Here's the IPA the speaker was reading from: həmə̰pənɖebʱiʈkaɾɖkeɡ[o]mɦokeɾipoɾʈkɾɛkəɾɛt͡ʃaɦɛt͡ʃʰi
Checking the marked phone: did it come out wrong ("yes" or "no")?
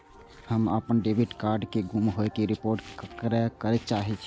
yes